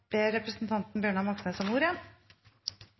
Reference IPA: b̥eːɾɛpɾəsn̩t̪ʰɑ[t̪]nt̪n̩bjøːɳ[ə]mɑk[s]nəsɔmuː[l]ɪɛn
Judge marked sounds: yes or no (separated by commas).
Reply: no, no, yes, no